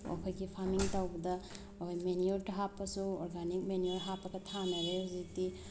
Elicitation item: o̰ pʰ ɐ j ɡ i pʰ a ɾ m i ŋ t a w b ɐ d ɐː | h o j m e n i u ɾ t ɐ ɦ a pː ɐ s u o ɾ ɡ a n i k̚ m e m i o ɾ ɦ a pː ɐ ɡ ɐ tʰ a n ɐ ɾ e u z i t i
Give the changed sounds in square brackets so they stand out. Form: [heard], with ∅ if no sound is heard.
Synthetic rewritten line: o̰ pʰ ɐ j ɡ i pʰ a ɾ m i ŋ t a w b ɐ d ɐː | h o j m e n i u ɾ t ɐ ɦ a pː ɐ s u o ɾ ɡ a n i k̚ m e [n] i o ɾ ɦ a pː ɐ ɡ ɐ tʰ a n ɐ ɾ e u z i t i